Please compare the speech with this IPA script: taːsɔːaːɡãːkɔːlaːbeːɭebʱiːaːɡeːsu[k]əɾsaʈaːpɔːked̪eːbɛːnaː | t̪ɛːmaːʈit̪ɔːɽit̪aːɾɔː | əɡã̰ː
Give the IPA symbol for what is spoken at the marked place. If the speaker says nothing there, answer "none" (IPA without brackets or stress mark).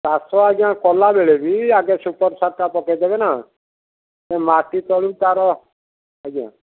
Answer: p